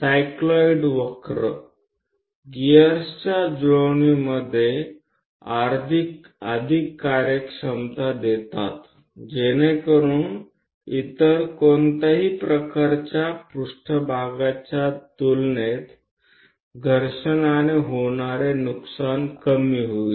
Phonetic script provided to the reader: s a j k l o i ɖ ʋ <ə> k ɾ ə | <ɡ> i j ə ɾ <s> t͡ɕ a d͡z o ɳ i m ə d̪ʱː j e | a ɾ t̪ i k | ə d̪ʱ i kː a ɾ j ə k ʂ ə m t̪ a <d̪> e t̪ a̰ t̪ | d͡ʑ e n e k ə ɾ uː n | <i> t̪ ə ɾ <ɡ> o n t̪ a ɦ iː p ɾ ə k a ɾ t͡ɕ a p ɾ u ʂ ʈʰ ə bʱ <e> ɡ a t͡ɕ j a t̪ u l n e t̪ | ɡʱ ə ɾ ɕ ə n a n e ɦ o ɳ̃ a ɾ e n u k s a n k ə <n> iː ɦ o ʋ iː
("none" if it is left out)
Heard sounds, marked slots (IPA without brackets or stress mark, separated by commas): ə, ɡ, s, d̪, i, k, a, m